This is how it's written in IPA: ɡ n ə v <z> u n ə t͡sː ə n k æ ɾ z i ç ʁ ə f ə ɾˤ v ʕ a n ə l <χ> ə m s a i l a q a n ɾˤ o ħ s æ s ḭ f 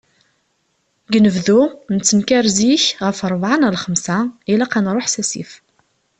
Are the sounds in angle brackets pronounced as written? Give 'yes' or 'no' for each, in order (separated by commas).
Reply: no, yes